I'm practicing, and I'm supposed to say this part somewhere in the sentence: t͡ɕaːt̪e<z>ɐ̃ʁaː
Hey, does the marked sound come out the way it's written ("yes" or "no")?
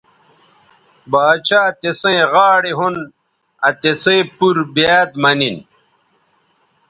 no